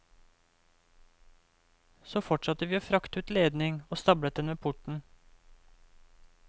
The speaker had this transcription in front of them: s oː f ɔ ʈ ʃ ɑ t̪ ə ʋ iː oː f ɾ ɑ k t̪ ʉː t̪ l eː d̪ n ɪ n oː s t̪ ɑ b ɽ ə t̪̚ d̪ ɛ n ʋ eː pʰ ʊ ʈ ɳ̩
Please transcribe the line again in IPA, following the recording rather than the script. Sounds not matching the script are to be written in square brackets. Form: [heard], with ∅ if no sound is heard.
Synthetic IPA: s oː f ɔ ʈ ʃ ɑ t̪ ə ʋ iː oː f ɾ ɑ k t̪ ʉː t̪ l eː d̪ n ɪ [ŋ] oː s t̪ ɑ b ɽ ə t̪̚ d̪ ɛ n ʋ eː pʰ ʊ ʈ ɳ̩